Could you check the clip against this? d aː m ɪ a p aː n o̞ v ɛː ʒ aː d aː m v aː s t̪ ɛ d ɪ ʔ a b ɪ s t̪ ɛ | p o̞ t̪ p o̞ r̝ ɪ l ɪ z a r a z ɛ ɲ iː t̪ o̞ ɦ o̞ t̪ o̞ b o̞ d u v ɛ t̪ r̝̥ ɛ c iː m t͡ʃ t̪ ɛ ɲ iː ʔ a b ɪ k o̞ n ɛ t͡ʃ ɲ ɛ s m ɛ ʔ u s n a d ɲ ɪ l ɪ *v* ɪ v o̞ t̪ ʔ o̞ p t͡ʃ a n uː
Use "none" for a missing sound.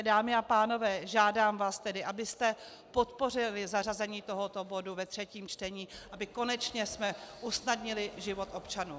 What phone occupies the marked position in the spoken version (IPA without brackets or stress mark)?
ʒ